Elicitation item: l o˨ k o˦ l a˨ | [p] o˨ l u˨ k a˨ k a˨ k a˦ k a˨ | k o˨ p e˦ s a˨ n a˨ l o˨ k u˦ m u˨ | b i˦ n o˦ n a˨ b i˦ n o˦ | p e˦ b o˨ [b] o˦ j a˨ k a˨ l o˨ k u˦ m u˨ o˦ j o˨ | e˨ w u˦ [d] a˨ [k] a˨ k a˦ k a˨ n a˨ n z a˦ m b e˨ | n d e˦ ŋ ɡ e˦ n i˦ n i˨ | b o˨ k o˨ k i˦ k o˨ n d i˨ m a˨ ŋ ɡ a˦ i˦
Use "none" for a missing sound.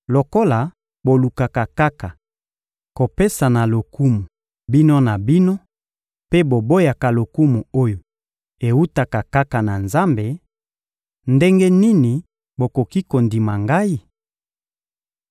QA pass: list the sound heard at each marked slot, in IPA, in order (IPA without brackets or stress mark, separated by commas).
b, b, t, k